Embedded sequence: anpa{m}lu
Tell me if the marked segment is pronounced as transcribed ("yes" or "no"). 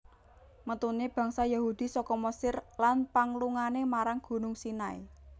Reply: no